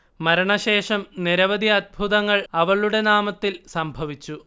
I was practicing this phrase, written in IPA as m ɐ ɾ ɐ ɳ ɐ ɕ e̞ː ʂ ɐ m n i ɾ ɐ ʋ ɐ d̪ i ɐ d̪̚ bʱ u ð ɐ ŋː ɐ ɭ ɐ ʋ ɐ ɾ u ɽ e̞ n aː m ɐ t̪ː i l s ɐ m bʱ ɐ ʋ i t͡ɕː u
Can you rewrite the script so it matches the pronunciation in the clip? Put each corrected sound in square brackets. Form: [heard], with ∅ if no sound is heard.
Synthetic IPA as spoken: m ɐ ɾ ɐ ɳ ɐ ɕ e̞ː ʂ ɐ m n i ɾ ɐ ʋ ɐ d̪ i ɐ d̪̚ bʱ u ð ɐ ŋː ɐ ɭ ɐ ʋ ɐ [ɭ] u ɽ e̞ n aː m ɐ t̪ː i l s ɐ m bʱ ɐ ʋ i t͡ɕː u